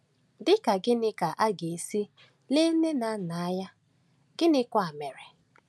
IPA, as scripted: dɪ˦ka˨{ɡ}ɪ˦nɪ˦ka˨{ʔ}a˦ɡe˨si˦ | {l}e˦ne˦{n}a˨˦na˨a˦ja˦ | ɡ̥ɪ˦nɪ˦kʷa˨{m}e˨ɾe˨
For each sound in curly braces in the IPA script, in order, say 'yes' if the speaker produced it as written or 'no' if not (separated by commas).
yes, yes, yes, yes, yes